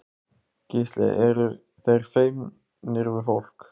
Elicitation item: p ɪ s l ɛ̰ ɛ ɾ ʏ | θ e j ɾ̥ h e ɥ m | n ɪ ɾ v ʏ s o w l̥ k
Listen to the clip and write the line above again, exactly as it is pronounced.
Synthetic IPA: c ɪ s l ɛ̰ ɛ ɾ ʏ | θ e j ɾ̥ f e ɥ m | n ɪ ɾ v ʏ f o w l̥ k